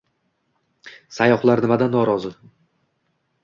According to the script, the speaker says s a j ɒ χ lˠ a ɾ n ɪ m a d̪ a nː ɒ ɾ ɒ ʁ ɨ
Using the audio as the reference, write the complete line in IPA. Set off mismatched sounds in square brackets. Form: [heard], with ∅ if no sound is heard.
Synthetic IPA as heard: s a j ɒ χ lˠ a ɾ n ɪ m a d̪ a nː ɒ ɾ ɒ [z] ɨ